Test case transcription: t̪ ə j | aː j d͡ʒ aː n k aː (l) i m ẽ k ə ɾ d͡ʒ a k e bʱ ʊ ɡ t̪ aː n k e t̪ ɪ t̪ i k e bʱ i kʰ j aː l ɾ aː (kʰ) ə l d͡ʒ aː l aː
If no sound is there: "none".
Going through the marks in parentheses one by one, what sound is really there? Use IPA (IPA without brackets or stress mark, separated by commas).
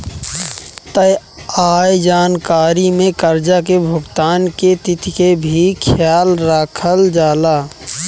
ɾ, kʰ